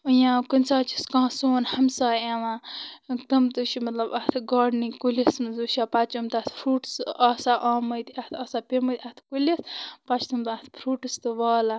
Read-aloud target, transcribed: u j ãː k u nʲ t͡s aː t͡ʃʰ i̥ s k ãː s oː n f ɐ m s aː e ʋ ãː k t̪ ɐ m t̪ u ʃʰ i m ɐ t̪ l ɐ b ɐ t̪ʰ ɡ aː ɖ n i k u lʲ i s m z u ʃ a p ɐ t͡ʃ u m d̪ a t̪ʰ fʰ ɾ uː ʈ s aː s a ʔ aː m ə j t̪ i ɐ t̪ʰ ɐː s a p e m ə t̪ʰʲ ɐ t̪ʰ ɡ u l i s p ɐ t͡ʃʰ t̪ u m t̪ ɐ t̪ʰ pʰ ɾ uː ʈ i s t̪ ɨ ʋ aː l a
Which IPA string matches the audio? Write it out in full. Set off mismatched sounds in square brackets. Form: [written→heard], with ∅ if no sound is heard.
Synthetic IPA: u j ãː k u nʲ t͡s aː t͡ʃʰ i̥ s k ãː s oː n [f→h] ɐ m s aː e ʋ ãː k t̪ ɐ m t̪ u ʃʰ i m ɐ t̪ l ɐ b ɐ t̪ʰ ɡ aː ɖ n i k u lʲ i s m z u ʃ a p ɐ t͡ʃ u m [d̪→t̪] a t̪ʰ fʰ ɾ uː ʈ s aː s a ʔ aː m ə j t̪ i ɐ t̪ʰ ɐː s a p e m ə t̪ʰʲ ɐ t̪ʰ [ɡ→k] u l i s p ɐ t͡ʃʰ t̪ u m t̪ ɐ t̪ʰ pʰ ɾ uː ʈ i s t̪ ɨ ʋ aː l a